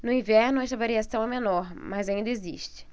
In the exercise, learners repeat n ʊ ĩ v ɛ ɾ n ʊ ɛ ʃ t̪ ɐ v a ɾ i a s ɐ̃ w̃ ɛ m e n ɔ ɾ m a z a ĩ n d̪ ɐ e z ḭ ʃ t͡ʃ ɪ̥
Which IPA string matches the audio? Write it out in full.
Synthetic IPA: n ʊ ĩ v ɛ ɾ n ʊ ɛ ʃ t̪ ɐ v a ɾ i a s ɐ̃ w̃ ɛ m e n ɔ ɾ m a z a ĩ n d̪ ɐ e z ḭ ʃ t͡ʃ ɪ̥